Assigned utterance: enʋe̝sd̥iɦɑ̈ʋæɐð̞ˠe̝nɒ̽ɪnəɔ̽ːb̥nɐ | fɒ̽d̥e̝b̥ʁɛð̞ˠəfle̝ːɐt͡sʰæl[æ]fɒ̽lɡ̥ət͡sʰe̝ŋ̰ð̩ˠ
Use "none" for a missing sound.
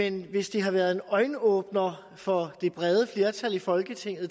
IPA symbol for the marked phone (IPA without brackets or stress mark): i